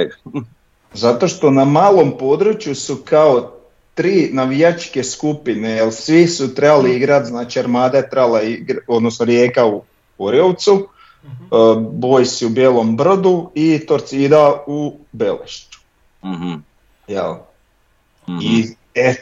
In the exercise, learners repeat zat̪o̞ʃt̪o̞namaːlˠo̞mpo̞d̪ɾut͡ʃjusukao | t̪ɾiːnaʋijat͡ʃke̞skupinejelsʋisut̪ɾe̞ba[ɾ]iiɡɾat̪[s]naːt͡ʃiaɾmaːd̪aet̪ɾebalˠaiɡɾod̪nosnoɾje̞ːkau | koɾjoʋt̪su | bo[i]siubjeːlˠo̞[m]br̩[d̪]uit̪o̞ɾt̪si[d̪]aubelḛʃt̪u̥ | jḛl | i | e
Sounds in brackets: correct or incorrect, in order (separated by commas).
incorrect, incorrect, incorrect, correct, correct, correct